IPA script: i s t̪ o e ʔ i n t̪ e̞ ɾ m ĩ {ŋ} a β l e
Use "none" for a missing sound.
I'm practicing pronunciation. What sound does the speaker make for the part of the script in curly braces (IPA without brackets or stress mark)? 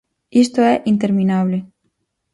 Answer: n